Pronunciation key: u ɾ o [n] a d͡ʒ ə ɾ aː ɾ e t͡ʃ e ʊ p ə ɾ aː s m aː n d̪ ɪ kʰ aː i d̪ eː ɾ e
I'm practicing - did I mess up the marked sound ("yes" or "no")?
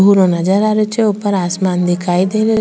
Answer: no